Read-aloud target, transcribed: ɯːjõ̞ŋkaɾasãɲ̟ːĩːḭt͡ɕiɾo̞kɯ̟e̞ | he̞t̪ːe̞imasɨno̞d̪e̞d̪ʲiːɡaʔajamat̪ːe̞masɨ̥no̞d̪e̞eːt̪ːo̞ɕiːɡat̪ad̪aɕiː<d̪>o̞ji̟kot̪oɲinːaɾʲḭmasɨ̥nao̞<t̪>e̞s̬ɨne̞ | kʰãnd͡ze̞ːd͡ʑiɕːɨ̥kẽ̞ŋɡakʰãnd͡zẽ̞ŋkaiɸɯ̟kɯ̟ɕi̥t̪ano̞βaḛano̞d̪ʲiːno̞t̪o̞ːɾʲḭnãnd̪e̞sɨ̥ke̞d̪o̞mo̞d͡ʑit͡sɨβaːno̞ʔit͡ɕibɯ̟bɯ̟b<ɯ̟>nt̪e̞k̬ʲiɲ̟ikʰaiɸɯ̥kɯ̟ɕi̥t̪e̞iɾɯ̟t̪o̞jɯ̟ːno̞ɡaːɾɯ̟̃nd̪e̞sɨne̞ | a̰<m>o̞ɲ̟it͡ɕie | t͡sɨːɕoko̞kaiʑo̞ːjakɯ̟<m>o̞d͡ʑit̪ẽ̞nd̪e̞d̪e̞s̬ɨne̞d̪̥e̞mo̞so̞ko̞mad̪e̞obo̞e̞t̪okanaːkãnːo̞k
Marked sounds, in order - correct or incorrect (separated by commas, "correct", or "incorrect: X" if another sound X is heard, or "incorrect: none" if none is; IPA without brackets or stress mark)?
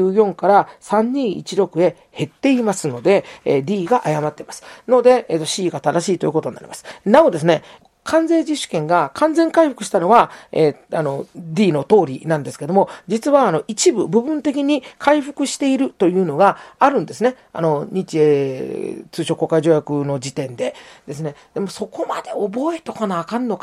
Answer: incorrect: t̪, incorrect: d̪, incorrect: ɯ̟̃, incorrect: n, incorrect: n